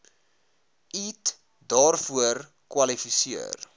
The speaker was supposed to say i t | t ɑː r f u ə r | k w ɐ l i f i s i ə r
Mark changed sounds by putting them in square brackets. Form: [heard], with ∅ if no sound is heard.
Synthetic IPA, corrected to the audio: i t | [d] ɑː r f u ə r | k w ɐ l i f i s i ə r